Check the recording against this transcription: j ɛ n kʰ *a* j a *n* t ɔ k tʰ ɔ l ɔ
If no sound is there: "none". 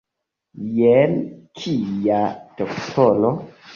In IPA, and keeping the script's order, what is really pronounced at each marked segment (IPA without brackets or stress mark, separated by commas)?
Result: i, none